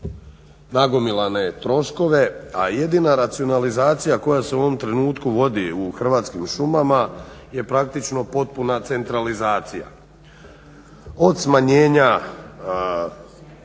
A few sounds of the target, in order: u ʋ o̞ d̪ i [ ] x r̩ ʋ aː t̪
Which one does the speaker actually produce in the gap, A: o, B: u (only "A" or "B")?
B